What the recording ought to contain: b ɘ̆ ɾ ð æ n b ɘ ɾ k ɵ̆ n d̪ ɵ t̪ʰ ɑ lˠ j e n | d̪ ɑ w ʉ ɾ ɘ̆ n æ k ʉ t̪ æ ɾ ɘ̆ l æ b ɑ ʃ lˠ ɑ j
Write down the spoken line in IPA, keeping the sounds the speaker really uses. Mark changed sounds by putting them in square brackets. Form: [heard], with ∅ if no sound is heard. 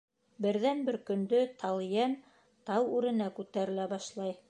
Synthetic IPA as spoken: b ɘ̆ ɾ ð æ n b ɘ ɾ k ɵ̆ n d̪ ɵ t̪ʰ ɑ lˠ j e n | [t̪] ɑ w ʉ ɾ ɘ̆ n æ k ʉ t̪ æ ɾ ɘ̆ l æ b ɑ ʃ lˠ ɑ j